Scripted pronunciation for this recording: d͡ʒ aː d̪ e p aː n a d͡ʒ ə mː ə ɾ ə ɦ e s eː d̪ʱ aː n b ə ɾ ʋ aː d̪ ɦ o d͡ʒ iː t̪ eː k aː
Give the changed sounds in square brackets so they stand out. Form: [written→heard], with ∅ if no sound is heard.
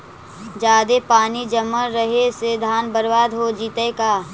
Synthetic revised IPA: d͡ʒ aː d̪ e p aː n [a→i] d͡ʒ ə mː ə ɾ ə ɦ e s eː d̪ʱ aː n b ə ɾ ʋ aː d̪ ɦ o d͡ʒ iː t̪ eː k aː

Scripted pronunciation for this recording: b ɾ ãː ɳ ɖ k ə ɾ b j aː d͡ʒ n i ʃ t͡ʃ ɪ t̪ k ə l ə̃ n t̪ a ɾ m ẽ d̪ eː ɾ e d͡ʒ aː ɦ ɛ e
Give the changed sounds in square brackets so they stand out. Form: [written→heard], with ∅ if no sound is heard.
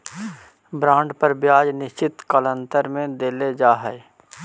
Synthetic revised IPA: b ɾ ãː ɳ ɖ [k→p] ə ɾ b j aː d͡ʒ n [i→ɪ] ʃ t͡ʃ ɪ t̪ k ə l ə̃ n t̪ [a→ə] ɾ m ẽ d̪ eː [ɾ→l] e d͡ʒ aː ɦ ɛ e

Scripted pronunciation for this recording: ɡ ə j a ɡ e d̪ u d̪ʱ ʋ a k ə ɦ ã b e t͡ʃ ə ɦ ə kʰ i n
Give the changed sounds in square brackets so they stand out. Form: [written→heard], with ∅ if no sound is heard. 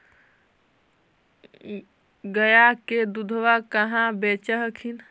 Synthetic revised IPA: ɡ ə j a [ɡ→k] e d̪ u d̪ʱ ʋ a k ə ɦ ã b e t͡ʃ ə ɦ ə kʰ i n

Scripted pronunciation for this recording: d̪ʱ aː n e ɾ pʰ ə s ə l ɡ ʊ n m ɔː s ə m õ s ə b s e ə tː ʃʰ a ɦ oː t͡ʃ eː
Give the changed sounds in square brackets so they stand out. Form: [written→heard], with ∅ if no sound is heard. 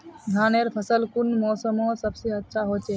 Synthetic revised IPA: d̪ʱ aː n e ɾ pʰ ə s ə l [ɡ→k] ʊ n m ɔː s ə m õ s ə b s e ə tː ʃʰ a ɦ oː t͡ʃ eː

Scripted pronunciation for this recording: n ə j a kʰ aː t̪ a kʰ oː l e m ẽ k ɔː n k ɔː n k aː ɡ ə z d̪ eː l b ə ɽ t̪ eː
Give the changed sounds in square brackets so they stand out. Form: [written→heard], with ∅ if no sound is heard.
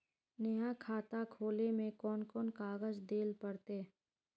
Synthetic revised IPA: n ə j a kʰ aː t̪ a kʰ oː l e m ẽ k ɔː n k ɔː n k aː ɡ ə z d̪ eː l [b→p] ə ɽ t̪ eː

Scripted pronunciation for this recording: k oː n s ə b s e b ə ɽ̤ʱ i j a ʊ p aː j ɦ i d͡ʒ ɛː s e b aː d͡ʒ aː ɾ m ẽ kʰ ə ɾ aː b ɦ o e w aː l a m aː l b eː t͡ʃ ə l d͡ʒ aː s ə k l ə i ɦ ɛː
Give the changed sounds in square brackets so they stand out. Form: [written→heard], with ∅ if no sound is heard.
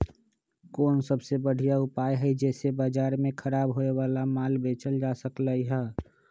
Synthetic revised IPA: k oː n s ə b s e b ə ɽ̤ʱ i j a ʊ p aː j ɦ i d͡ʒ ɛː s e b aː d͡ʒ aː ɾ m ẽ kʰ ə ɾ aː b ɦ o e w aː l a m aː l b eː t͡ʃ ə l d͡ʒ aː s ə k l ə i ɦ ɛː

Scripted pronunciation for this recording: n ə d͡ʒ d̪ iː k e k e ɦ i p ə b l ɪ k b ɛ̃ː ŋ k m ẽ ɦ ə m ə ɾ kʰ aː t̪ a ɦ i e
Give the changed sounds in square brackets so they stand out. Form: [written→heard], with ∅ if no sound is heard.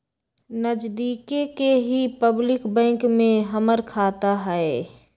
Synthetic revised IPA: n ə d͡ʒ d̪ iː k e k e ɦ i p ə b l ɪ k b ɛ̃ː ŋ k m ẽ ɦ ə m ə ɾ kʰ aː t̪ a ɦ [i→ɛ] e

